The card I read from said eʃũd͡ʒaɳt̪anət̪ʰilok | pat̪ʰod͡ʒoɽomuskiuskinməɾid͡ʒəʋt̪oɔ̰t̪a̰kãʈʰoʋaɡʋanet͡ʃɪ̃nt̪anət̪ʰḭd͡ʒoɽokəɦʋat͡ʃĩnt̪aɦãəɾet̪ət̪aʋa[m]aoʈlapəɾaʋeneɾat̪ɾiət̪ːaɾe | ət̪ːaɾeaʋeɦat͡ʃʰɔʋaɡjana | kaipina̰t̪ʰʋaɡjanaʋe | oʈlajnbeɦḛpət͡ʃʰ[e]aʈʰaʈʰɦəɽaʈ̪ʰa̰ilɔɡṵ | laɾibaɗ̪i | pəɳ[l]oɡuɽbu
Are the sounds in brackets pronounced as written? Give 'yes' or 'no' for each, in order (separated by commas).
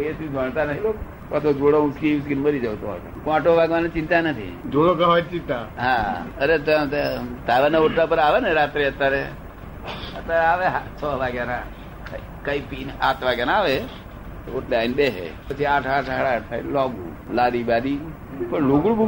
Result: no, no, yes